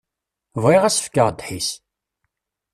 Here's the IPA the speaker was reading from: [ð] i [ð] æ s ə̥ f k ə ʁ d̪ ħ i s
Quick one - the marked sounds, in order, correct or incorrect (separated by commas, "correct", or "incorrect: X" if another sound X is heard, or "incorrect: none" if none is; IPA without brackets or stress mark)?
incorrect: v, incorrect: ʁ